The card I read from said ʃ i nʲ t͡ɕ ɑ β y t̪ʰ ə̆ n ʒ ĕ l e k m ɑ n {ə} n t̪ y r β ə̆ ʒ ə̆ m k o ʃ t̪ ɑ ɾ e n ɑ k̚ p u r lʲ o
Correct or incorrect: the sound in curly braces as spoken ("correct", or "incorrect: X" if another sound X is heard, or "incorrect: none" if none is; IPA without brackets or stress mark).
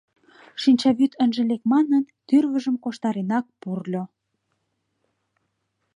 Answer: correct